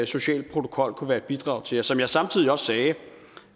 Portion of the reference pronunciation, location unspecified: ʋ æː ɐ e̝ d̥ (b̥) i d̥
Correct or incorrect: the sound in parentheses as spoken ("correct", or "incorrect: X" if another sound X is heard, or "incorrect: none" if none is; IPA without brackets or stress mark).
correct